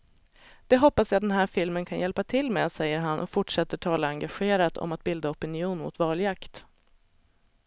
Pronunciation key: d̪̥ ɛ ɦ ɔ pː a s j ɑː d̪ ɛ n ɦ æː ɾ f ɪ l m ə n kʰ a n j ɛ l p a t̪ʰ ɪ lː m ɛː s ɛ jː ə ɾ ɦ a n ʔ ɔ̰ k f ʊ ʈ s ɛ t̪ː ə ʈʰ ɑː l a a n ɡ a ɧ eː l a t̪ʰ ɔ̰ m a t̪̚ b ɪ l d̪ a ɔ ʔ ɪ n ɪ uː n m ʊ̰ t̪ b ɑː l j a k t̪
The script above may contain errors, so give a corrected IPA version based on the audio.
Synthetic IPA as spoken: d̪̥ ɛ ɦ ɔ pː a s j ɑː d̪ ɛ n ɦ æː ɾ f ɪ l m ə n kʰ a n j ɛ l p a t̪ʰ ɪ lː m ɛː s ɛ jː ə ɾ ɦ a n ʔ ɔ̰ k f ʊ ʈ ʂ ɛ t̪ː ə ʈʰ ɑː l a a ŋ ɡ a ɧ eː ɾ a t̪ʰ ɔ̰ m a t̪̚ b ɪ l d̪ a ɔ p ɪ n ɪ uː n m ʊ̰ t̪ v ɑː l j a k t̪